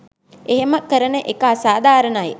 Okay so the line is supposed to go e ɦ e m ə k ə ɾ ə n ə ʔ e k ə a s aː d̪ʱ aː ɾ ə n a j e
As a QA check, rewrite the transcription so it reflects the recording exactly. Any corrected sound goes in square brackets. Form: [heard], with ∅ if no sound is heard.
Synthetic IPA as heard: e ɦ e m ə k ə ɾ ə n ə ʔ e k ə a s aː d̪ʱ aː ɾ ə n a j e